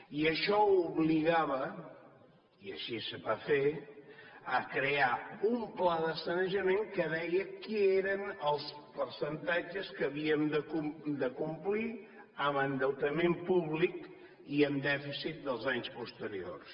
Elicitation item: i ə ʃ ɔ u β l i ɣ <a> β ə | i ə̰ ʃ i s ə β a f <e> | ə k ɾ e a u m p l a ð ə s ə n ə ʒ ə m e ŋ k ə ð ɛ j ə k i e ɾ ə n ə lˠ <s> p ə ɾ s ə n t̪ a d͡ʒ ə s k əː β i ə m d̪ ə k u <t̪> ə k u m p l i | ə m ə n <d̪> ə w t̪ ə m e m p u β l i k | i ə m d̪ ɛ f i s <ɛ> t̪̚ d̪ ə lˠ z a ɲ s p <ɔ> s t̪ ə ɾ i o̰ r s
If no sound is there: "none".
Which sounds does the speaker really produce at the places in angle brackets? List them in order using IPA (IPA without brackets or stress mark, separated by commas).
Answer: a, e, s, d̪, d̪, i, u